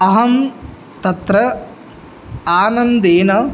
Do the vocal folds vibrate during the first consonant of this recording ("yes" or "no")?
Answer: yes